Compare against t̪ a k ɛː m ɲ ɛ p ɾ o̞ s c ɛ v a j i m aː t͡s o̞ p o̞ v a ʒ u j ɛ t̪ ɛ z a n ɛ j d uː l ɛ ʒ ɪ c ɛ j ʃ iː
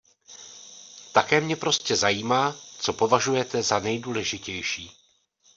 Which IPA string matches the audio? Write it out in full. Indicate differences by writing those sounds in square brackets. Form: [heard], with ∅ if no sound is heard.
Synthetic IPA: t̪ a k ɛː m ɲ ɛ p ɾ o̞ s c ɛ [z] a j [iː] m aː t͡s o̞ p o̞ v a ʒ u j ɛ t̪ ɛ z a n ɛ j d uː l ɛ ʒ ɪ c ɛ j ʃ iː